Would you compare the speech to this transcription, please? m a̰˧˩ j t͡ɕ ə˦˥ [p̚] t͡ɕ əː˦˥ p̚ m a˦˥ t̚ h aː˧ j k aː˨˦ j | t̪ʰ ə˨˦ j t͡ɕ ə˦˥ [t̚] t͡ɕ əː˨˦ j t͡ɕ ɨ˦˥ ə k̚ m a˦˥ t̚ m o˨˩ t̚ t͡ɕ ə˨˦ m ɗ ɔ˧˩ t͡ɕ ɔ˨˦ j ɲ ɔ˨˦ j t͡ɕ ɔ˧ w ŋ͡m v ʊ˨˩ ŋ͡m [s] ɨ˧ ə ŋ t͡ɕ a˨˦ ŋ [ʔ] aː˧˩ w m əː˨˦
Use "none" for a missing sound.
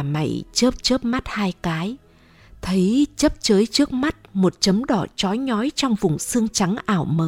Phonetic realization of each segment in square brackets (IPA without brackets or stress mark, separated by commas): p̚, p̚, s, ʔ